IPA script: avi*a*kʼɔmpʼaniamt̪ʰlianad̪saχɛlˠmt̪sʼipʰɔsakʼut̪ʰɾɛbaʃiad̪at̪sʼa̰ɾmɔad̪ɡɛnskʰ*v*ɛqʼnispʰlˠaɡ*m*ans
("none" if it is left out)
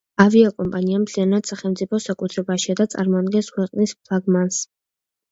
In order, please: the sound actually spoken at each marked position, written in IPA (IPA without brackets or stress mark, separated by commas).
a, w, m